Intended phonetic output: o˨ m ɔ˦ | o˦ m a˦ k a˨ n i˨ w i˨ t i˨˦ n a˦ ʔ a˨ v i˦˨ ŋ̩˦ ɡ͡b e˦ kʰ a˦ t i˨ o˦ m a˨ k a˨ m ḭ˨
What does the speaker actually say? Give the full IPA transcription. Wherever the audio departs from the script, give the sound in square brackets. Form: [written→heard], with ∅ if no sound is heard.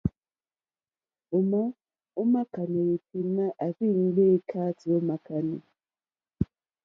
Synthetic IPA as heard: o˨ m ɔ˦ | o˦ m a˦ k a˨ n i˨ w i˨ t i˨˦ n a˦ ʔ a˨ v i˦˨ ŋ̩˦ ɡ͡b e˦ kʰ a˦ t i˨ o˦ m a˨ k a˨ [m→n] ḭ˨

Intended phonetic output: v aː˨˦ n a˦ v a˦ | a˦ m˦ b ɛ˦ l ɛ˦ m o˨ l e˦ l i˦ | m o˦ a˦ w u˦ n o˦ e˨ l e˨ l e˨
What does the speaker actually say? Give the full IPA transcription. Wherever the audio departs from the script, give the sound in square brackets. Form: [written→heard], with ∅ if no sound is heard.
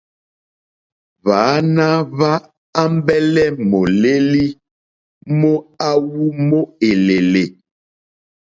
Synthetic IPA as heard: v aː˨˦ n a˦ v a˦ | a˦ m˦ b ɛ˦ l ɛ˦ m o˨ l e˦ l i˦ | m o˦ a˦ w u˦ [n→m] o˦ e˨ l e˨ l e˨

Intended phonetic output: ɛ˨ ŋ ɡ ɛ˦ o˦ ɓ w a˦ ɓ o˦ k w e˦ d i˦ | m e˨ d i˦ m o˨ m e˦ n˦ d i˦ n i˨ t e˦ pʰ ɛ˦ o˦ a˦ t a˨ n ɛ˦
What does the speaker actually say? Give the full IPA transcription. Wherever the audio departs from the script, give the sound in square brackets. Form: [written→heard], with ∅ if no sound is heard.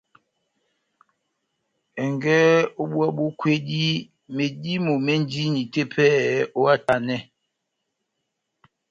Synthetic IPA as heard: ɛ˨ ŋ ɡ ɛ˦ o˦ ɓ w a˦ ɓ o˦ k w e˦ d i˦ | m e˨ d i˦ m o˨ m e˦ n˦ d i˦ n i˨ t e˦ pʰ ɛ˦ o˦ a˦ t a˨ n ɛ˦

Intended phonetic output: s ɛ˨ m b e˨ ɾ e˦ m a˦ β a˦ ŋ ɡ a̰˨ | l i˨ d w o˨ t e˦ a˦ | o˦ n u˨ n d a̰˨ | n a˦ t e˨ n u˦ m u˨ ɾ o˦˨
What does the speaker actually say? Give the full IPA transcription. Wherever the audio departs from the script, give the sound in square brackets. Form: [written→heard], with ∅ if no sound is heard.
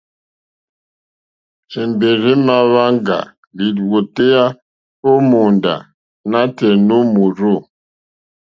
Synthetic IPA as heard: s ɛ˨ m b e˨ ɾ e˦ m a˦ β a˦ ŋ ɡ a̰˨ | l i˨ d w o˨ t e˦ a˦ | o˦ [n→m] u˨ n d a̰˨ | n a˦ t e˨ n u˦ m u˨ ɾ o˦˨

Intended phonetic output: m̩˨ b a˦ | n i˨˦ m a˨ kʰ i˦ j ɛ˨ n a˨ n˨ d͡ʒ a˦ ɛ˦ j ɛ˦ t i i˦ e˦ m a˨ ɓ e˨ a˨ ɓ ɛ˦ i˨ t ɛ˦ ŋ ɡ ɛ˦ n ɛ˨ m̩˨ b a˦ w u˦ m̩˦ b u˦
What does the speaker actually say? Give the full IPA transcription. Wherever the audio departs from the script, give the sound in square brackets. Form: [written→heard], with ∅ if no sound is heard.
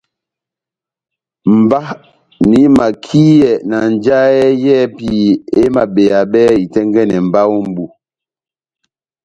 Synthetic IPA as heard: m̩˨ b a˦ | n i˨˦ m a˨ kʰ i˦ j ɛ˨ n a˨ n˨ d͡ʒ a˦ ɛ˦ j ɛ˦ [t→p] i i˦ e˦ m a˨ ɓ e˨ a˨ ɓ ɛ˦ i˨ t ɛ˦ ŋ ɡ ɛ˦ n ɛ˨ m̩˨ b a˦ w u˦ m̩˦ b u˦

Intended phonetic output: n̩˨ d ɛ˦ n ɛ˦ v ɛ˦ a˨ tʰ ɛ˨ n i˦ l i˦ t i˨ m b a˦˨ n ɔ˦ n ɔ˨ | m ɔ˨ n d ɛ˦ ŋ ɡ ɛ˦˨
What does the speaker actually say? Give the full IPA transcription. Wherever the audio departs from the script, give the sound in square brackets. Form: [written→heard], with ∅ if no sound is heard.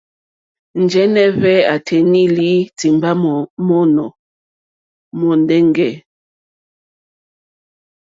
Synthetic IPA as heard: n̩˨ [d→d͡ʒ] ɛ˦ n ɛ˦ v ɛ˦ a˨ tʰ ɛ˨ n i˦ l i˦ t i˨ m b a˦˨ [n→m] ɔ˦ n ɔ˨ | m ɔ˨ n d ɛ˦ ŋ ɡ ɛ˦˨

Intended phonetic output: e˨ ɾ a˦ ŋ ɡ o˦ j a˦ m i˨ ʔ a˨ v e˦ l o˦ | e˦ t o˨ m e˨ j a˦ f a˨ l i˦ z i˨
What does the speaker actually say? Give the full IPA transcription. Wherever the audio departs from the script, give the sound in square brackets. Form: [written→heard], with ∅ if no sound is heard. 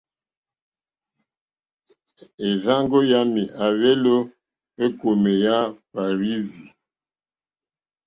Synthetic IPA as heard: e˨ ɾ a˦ ŋ ɡ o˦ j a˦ m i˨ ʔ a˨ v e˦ l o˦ | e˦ [t→k] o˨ m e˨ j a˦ f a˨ [l→ɾ] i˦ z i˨

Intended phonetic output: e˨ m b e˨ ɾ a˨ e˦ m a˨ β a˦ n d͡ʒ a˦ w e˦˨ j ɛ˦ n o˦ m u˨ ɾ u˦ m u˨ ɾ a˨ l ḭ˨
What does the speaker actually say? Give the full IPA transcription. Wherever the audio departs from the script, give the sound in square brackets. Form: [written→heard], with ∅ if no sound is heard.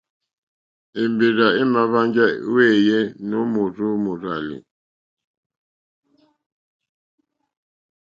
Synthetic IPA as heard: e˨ m b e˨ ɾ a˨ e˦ m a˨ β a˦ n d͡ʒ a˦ w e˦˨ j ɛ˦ n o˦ m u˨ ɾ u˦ m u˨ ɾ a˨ l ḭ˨

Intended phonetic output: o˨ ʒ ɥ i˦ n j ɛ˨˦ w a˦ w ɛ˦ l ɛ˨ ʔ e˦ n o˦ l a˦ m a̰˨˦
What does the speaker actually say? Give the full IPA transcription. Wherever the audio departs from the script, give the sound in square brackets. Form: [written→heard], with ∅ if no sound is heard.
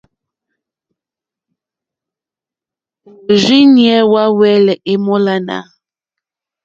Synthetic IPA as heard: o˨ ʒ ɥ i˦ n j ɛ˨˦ w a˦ w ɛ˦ l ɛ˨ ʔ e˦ [n→m] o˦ l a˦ [m→n] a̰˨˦

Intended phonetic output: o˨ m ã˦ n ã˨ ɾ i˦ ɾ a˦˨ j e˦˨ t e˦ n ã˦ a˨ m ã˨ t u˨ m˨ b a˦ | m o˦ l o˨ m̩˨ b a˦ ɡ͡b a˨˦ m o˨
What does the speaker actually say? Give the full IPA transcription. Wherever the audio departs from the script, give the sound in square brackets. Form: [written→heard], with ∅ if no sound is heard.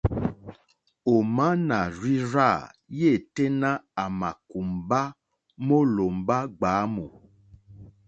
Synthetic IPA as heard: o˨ m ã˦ n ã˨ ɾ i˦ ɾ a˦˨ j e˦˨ t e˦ n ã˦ a˨ m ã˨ [t→k] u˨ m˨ b a˦ | m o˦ l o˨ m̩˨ b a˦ ɡ͡b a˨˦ m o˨

